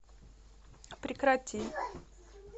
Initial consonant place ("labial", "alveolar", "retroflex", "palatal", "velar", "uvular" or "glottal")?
labial